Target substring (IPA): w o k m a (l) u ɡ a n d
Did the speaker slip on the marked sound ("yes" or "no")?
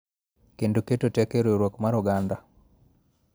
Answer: yes